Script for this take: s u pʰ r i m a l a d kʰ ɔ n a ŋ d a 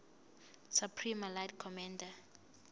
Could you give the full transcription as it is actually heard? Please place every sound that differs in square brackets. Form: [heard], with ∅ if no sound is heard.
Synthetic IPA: s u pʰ r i m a l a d kʰ ɔ [m] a [n] d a